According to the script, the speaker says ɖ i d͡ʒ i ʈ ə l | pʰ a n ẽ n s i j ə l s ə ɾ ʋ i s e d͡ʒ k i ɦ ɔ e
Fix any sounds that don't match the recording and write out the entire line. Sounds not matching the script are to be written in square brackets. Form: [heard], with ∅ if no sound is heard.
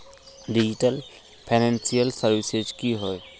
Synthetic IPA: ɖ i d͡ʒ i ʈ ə l | pʰ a n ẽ n s i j ə l s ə ɾ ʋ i s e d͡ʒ k i ɦ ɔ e